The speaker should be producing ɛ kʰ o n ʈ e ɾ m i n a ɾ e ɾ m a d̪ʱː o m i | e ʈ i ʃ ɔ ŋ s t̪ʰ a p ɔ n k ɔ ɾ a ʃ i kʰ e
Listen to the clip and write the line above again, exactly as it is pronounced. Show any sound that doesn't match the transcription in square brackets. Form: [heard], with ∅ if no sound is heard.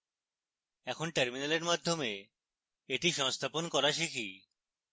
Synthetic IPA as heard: ɛ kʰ o n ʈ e ɾ m i n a [l] e ɾ m a d̪ʱː o m [e] | e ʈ i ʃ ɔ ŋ s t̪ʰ a p [o] n k ɔ ɾ a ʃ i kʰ [i]

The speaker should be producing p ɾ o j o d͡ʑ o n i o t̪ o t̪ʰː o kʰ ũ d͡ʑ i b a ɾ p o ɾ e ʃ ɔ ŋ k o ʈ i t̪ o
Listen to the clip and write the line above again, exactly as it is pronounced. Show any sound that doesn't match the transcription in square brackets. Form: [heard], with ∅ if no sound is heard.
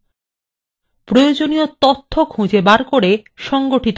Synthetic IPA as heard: p ɾ o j o d͡ʑ o n i o t̪ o t̪ʰː o kʰ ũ d͡ʑ [e] b a ɾ [k] o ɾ e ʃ ɔ ŋ [ɡ] o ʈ i t̪ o

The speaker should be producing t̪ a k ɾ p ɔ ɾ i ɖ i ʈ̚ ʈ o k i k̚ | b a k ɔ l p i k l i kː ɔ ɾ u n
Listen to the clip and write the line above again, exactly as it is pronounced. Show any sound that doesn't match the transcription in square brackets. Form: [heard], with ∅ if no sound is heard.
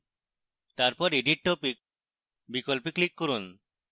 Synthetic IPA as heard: t̪ a [∅] ɾ p ɔ ɾ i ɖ i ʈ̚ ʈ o [p] i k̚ | b [i] k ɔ l p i k l i kː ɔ ɾ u n

